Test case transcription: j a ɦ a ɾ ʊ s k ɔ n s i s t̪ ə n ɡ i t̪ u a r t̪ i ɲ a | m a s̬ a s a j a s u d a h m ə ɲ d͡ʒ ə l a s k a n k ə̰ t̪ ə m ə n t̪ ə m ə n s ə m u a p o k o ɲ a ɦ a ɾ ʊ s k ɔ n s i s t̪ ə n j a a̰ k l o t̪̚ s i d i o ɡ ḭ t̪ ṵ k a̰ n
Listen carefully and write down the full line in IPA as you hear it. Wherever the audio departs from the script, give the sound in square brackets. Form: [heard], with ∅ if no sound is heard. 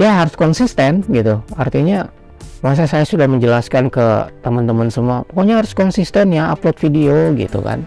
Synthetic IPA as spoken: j a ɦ a ɾ ʊ s k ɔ n s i s t̪ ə n ɡ i t̪ u a r t̪ i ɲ a | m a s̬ a s a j a s u d a h m ə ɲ d͡ʒ ə l a s k a n k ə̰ t̪ ə m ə n t̪ ə m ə n s ə m u a p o k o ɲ a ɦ a ɾ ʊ s k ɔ n s i s t̪ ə n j a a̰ [p] l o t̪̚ [f] i d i o ɡ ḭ t̪ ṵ k a̰ n